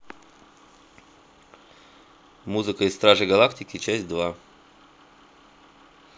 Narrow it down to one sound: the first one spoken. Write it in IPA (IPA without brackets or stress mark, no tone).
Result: m